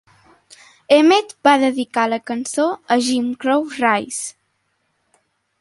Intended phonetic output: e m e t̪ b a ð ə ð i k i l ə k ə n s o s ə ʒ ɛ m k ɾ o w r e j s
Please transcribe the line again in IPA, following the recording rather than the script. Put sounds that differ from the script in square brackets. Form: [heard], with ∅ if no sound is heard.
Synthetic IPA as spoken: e m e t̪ b a ð ə ð i k [a] l ə k ə n s o [∅] ə ʒ [i] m k ɾ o w r [a] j s